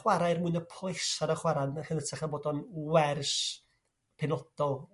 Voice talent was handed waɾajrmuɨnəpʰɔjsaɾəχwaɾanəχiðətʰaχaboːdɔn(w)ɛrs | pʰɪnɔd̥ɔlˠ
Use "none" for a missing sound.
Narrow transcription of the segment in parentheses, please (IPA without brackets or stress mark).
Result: w